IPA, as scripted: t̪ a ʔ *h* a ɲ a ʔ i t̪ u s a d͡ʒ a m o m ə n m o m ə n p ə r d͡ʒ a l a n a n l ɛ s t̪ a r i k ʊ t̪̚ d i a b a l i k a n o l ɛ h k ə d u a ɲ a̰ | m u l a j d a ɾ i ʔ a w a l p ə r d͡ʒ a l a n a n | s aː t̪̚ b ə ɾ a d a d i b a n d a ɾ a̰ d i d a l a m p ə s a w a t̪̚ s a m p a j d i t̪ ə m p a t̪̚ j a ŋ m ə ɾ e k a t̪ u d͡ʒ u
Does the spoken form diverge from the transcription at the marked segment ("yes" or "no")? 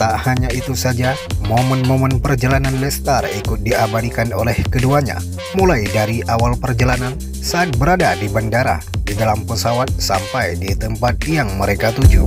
no